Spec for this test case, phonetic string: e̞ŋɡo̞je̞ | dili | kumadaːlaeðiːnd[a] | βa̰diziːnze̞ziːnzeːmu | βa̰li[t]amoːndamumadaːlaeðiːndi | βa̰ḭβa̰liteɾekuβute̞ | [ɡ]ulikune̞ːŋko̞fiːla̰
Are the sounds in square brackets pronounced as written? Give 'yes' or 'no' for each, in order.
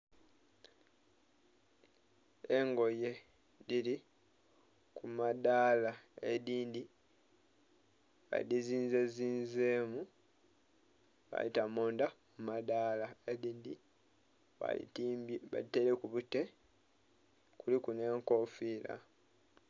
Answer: no, yes, no

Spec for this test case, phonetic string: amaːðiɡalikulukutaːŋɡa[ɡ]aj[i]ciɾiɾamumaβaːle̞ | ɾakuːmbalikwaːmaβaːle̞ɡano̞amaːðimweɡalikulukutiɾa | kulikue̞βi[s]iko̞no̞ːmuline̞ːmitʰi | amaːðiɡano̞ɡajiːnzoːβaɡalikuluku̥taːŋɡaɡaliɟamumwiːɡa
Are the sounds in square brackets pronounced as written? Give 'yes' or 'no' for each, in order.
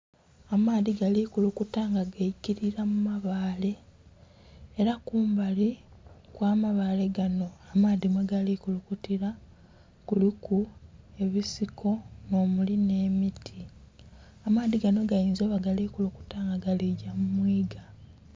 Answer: yes, yes, yes

